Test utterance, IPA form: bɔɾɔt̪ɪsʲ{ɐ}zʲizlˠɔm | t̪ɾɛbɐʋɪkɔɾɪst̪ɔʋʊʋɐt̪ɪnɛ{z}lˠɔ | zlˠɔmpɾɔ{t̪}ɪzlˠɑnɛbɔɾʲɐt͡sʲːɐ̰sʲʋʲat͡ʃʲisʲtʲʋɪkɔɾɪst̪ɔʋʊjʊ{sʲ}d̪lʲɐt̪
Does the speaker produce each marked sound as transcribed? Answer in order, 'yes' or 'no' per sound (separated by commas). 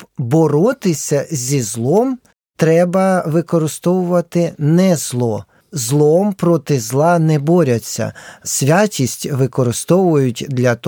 yes, yes, yes, no